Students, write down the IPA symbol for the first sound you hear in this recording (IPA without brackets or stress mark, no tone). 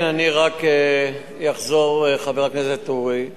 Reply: n